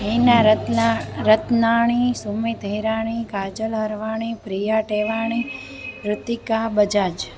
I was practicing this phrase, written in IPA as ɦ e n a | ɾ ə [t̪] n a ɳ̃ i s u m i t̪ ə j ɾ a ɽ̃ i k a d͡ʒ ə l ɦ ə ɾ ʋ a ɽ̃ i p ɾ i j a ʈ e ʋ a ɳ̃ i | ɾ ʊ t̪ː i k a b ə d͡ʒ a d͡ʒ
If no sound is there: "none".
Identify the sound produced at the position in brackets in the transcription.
t̪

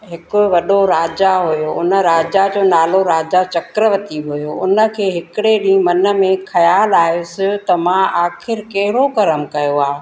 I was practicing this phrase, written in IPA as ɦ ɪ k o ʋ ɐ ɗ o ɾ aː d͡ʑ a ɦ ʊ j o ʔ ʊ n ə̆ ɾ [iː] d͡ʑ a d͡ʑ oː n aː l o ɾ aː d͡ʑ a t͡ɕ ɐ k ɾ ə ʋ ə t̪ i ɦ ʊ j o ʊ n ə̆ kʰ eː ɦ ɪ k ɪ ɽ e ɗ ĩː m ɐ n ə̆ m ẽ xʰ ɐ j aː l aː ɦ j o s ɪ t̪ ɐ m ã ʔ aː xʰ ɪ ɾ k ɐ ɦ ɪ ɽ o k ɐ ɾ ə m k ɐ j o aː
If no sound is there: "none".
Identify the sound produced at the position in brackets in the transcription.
aː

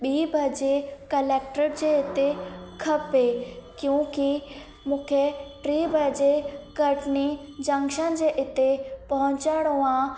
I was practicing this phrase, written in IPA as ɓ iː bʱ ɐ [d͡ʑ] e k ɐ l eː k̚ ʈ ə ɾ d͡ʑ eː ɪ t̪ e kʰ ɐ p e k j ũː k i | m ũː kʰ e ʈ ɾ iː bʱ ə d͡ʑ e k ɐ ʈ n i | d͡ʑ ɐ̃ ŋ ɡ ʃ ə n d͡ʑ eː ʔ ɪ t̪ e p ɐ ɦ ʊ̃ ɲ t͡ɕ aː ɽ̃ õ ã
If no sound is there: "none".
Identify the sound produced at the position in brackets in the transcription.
d͡ʑ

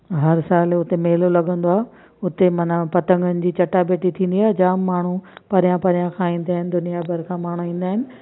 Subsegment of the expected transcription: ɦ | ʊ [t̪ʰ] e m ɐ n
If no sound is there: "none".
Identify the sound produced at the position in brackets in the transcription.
t̪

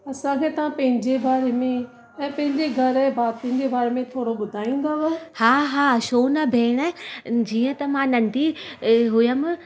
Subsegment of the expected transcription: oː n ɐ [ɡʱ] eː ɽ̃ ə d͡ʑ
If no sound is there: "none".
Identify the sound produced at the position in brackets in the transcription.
bʱ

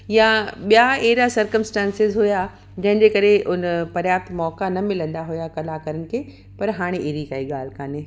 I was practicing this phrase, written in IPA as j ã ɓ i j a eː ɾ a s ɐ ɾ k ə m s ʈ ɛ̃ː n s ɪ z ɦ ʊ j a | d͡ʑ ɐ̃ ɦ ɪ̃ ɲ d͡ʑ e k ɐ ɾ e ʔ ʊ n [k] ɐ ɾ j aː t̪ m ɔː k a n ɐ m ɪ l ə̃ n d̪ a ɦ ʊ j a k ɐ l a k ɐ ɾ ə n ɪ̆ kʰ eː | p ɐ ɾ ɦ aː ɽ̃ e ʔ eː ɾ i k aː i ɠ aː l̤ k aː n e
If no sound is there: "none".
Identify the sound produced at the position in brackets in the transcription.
p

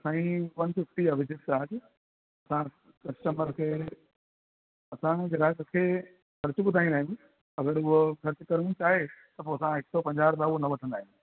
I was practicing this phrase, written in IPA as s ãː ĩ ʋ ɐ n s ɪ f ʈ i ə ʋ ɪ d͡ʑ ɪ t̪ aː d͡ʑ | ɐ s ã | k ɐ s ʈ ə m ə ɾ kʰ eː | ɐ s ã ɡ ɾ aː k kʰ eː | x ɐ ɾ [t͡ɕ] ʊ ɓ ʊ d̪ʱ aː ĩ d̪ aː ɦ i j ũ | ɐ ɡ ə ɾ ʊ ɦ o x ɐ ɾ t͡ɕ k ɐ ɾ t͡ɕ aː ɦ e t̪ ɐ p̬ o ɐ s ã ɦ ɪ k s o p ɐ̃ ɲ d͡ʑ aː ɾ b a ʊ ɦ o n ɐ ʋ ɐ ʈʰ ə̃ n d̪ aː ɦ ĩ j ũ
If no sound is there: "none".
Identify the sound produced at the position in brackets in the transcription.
t͡ɕ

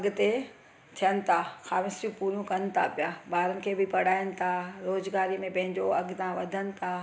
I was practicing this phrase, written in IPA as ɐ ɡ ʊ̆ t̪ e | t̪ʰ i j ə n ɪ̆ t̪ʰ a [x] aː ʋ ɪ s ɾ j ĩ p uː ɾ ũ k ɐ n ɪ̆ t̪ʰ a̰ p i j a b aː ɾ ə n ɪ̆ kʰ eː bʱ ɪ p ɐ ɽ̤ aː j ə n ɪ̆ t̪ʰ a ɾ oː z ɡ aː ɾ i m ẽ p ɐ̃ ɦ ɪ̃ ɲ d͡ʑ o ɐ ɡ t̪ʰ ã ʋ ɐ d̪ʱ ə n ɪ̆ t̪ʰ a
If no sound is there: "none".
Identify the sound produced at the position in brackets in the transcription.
x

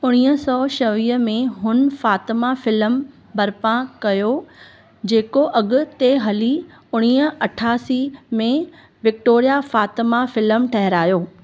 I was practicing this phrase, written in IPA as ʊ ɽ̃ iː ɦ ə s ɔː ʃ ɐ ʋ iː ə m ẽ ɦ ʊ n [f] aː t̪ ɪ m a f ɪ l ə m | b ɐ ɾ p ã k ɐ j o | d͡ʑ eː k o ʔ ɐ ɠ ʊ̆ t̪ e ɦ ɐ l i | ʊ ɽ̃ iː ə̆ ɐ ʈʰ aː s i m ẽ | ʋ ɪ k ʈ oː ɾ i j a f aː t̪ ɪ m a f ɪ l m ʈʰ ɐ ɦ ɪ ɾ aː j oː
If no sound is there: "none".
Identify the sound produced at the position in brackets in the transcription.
f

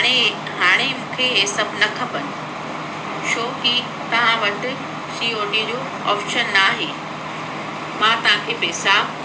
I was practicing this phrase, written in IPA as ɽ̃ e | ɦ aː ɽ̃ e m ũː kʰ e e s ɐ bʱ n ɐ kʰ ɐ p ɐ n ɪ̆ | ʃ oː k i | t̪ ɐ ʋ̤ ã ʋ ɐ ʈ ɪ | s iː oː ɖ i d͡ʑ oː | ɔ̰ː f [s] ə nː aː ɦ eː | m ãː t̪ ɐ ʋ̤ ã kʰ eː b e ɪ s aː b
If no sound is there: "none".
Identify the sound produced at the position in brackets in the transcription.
ʃ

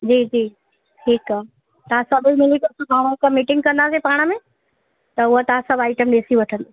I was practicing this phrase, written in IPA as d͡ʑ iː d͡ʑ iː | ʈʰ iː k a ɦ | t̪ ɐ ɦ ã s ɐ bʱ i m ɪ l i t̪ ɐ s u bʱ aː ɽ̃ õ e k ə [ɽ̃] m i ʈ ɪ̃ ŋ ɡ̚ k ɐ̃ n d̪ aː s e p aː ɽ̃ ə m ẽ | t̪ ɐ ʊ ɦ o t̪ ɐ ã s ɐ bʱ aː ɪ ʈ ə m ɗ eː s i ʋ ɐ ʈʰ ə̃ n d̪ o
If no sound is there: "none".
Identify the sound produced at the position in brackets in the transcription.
none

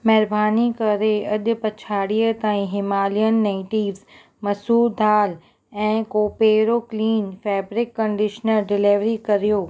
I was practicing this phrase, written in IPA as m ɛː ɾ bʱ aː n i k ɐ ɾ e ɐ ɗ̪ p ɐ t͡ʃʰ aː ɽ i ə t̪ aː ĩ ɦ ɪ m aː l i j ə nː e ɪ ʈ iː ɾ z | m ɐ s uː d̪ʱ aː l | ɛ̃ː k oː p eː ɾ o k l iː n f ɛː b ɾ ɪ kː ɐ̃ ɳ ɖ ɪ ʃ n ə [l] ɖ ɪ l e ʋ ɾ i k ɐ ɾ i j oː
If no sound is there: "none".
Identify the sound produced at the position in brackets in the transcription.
ɾ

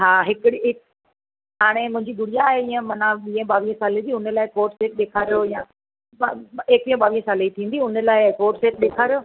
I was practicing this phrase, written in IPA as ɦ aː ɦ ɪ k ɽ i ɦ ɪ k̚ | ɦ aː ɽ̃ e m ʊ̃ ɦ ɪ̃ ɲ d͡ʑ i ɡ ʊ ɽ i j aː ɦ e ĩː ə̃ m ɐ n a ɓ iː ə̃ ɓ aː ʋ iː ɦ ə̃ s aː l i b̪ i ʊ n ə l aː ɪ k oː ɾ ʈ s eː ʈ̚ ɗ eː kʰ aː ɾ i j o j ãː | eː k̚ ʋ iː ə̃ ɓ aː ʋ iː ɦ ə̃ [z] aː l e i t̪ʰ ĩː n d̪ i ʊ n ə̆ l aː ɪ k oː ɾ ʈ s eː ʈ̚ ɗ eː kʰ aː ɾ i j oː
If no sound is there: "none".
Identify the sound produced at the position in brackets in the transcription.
s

